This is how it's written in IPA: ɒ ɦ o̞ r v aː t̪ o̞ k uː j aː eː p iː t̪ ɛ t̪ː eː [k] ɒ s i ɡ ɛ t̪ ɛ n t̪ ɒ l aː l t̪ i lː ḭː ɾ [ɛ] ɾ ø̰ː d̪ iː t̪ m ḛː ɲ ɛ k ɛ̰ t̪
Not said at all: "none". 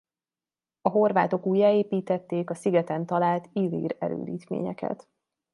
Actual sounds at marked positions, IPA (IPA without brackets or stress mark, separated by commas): k, ɛ